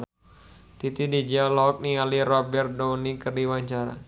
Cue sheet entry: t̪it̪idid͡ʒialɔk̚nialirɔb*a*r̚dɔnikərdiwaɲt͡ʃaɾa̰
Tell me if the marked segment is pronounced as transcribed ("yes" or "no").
no